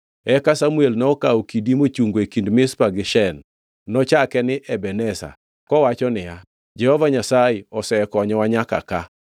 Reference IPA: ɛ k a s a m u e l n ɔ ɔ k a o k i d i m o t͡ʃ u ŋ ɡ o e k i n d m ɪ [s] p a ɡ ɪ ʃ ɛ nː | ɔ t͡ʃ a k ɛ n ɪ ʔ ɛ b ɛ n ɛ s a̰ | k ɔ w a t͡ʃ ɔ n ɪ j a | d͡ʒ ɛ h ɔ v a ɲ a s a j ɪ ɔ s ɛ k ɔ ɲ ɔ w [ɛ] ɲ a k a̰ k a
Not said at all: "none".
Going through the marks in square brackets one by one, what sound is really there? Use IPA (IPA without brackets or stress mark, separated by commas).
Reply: s, a